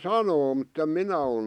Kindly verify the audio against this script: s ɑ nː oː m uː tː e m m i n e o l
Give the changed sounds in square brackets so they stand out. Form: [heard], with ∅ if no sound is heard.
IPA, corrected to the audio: s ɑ [n] oː m [u] tː e m m i n [æ] o l